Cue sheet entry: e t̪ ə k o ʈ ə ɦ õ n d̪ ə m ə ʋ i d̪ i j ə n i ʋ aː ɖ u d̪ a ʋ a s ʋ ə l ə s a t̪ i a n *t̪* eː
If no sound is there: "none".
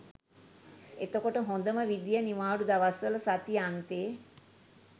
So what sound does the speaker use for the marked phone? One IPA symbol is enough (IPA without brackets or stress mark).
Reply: t̪